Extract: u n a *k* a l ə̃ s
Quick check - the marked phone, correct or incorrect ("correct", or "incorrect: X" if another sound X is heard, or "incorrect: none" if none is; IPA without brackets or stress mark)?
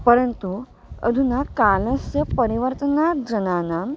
correct